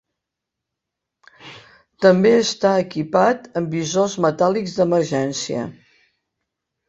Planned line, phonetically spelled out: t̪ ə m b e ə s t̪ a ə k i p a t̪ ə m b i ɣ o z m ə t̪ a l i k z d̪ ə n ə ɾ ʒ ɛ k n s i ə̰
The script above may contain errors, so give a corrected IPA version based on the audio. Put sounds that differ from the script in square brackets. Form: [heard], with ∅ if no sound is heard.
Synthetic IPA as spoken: t̪ ə m b e ə s t̪ a ə k i p a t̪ ə m b i [z] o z m ə t̪ a l i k z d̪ ə [m] ə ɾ ʒ ɛ [∅] n s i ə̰